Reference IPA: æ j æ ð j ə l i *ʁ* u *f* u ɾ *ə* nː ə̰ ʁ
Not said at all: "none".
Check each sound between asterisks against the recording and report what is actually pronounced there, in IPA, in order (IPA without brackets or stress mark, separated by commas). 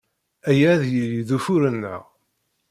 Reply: ð, f, ə